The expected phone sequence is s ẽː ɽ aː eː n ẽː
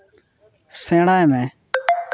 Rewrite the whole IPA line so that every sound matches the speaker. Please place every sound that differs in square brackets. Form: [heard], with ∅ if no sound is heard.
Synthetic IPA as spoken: s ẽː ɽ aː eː [m] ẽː